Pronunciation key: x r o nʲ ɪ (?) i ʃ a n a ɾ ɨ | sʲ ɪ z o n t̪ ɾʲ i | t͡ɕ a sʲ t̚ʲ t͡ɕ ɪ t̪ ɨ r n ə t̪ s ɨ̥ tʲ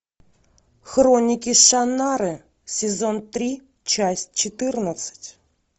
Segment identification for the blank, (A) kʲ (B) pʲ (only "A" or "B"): A